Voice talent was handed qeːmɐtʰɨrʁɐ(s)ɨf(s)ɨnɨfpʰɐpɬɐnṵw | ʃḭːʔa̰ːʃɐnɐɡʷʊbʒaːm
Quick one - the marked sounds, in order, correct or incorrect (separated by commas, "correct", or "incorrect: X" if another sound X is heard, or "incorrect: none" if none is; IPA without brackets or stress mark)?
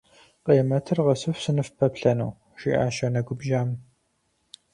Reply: correct, correct